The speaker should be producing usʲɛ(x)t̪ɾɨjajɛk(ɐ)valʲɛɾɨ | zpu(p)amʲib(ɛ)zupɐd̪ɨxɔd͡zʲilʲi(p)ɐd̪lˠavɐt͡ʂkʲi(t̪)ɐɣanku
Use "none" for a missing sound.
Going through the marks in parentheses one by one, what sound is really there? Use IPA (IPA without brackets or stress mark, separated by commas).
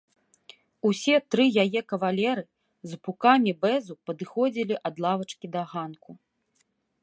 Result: none, ɐ, k, ɛ, ʔ, d̪